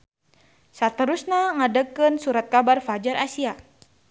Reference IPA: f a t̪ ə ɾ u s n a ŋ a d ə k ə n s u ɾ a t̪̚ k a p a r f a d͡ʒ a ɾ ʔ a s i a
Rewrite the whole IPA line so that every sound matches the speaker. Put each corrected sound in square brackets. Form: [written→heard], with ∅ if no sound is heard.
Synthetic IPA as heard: [f→s] a t̪ ə ɾ u s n a ŋ a d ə k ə n s u ɾ a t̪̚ k a [p→b] a r f a d͡ʒ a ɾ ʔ a s i a